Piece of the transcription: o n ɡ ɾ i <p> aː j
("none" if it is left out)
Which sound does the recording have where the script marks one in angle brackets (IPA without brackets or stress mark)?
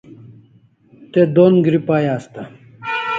p